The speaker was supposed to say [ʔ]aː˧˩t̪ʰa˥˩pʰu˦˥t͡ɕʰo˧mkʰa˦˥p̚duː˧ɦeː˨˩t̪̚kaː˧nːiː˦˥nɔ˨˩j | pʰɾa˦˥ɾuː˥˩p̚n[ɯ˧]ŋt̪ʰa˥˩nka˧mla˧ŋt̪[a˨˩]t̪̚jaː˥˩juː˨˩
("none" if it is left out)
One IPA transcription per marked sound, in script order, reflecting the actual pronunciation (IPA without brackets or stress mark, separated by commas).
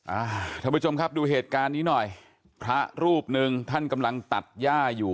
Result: ʔ, ɯ˧, a˨˩